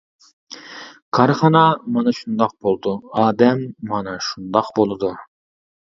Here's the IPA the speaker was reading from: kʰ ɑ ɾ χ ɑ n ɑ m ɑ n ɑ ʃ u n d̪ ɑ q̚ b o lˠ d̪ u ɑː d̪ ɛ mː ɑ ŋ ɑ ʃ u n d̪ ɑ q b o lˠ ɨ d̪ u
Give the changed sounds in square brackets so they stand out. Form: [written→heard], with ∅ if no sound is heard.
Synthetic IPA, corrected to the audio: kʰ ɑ ɾ χ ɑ n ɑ m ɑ n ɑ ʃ u n d̪ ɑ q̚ b o lˠ d̪ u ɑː d̪ ɛ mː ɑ [ŋ→n] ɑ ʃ u n d̪ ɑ q b o lˠ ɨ d̪ u